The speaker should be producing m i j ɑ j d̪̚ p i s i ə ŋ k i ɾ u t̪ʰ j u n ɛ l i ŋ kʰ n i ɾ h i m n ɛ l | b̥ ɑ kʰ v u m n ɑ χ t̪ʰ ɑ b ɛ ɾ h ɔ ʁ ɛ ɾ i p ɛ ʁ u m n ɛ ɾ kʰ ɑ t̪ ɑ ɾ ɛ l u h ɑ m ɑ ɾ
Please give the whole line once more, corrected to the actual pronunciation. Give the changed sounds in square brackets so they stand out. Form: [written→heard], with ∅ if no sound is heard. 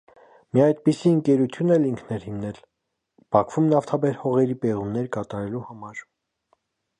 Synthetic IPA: m i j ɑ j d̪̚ p i s i ə ŋ k [i→ɛ] ɾ u t̪ʰ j u n ɛ l i ŋ kʰ n [i→ɛ] ɾ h i m n ɛ l | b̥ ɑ kʰ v u m n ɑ [χ→f] t̪ʰ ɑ b ɛ ɾ h ɔ ʁ ɛ ɾ i p ɛ ʁ u m n ɛ ɾ [kʰ→k] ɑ t̪ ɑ ɾ ɛ l u h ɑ m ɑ ɾ